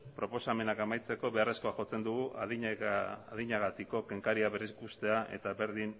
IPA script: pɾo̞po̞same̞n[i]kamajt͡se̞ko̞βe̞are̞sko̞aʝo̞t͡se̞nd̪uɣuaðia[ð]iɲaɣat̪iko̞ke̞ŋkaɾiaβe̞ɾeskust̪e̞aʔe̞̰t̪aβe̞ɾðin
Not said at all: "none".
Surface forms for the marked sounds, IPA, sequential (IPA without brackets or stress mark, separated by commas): a, ð